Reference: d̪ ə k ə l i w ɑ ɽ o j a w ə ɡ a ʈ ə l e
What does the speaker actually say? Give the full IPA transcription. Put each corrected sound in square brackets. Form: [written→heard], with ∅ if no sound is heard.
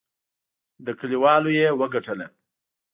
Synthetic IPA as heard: d̪ ə k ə l i w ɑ [ɽ→l] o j [a→e] w ə ɡ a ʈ ə l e